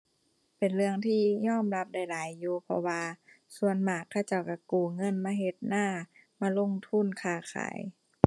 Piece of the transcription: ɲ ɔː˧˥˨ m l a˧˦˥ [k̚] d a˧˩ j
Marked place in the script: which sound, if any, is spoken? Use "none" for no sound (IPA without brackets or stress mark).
p̚